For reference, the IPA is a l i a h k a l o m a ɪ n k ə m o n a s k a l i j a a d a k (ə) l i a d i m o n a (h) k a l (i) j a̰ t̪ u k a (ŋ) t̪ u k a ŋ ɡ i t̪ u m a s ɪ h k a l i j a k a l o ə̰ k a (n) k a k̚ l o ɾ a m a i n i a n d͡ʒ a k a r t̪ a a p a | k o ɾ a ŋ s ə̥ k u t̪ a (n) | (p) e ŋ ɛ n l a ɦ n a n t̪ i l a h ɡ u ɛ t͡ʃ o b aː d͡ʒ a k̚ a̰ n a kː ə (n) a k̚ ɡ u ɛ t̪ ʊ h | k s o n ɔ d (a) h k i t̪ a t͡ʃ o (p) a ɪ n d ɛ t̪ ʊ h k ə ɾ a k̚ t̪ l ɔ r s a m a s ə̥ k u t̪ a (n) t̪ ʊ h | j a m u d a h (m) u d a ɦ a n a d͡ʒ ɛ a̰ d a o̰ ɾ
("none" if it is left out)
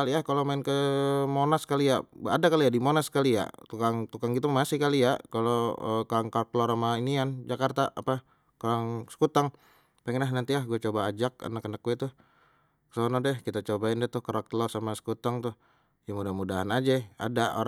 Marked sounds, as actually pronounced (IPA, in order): a, s, i, ŋ, ŋ, ŋ, p, n, ɛ, b, ŋ, m

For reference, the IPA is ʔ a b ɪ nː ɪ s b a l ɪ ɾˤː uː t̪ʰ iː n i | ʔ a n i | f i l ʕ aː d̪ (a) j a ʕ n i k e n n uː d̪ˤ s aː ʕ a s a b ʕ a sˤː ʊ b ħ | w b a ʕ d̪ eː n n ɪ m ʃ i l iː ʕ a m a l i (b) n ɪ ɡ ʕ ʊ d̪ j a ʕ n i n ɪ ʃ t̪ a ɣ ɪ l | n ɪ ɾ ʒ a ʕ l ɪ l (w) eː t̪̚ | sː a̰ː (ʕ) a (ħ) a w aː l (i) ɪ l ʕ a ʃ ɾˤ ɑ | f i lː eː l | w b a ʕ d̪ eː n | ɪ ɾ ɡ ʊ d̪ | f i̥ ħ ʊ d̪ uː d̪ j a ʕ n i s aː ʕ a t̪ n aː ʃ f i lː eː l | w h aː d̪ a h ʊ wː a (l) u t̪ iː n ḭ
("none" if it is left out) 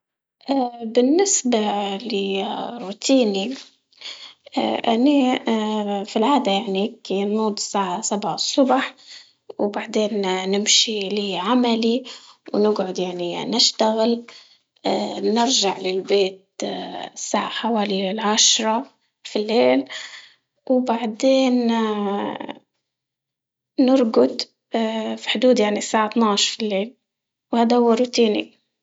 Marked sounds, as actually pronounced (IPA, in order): a, w, b, ʕ, ħ, i, ɾ

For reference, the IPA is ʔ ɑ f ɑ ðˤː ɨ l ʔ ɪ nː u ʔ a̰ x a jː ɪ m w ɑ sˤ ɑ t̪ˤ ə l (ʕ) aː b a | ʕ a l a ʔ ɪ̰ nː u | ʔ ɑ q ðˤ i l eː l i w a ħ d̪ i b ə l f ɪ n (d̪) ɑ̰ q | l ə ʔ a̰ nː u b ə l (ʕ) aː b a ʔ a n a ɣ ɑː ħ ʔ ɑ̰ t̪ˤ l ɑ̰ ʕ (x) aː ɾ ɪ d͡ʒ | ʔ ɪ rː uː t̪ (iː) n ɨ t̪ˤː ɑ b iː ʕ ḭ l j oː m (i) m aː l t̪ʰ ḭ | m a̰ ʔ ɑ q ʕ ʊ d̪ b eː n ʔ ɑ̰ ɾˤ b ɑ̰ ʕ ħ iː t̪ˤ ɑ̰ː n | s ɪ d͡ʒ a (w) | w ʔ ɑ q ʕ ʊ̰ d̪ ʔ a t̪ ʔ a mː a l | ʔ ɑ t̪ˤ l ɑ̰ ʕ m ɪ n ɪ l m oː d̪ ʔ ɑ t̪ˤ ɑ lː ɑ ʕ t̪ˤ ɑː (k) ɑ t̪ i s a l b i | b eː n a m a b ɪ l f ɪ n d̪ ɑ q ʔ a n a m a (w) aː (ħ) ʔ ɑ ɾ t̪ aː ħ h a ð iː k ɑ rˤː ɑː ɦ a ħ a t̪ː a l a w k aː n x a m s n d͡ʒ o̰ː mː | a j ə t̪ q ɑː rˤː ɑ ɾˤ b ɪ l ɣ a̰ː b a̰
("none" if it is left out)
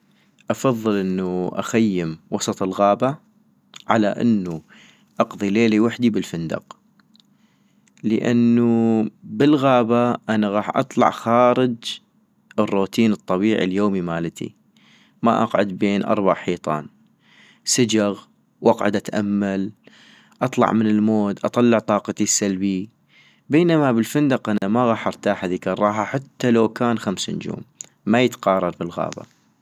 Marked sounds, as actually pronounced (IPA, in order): ɣ, d̪, ɣ, x, iː, i, ɣ, q, ɣ, ħ

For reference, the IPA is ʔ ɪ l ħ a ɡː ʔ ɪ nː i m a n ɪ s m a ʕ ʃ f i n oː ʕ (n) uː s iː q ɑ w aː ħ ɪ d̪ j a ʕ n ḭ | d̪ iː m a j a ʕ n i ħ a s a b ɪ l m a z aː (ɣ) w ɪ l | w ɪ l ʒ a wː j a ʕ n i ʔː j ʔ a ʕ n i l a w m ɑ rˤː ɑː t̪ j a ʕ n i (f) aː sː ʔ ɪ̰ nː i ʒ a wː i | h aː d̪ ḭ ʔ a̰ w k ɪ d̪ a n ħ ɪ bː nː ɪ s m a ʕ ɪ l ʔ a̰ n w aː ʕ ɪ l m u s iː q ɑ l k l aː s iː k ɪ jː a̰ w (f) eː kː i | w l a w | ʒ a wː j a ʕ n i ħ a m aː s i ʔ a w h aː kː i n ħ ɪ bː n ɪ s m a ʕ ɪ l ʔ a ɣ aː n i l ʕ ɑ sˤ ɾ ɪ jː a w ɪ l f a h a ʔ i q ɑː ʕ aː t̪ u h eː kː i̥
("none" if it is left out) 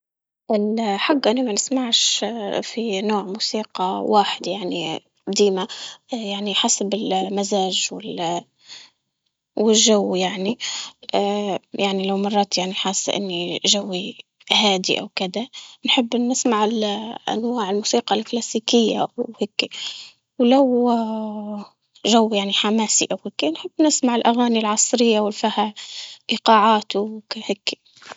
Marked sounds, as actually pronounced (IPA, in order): m, ʒ, ħ, h

